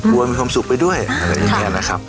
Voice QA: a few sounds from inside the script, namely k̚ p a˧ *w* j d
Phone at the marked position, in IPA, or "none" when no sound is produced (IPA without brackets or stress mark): none